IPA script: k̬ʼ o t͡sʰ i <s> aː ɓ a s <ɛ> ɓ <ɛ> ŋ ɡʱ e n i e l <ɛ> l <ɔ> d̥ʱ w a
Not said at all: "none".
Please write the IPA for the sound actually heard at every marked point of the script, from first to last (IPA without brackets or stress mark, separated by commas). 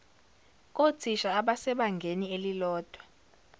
ʃ, ɛ, a, i, ɔː